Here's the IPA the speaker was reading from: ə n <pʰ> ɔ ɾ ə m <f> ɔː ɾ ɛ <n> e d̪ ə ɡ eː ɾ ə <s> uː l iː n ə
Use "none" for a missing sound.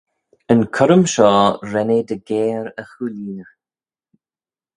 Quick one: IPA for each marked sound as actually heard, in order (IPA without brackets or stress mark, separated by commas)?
kʰ, ʃ, n, x